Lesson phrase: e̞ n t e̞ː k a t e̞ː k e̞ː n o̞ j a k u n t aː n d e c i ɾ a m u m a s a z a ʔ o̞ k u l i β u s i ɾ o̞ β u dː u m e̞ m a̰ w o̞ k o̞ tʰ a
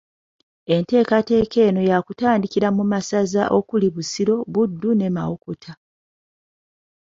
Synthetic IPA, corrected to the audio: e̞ n t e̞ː k a t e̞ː k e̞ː n o̞ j a k u t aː n d i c i ɾ a m u m a s a z a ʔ o̞ k u l i β u s i ɾ o̞ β u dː u n e̞ m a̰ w o̞ k o̞ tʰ a